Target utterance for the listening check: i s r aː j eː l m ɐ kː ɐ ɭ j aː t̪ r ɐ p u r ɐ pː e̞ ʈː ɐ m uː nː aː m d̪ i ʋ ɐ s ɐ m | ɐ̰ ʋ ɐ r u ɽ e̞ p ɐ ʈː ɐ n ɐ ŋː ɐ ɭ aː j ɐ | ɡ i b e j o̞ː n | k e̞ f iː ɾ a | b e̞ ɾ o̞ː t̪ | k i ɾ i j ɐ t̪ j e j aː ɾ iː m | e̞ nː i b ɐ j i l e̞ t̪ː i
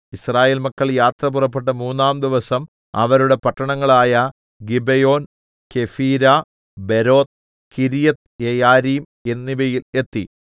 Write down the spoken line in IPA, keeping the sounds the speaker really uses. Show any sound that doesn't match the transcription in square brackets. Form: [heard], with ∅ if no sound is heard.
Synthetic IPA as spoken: i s r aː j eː l m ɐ kː ɐ ɭ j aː t̪ r ɐ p u r ɐ pː e̞ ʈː ɐ m uː nː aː m d̪ i ʋ ɐ s ɐ m | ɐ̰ ʋ ɐ [ɾ] u ɽ e̞ p ɐ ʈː ɐ [ɳ] ɐ ŋː ɐ ɭ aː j ɐ | ɡ i b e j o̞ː n | k e̞ f iː ɾ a | b e̞ ɾ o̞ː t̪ | k i ɾ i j ɐ t̪ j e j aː ɾ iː m | e̞ nː i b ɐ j i l e̞ t̪ː i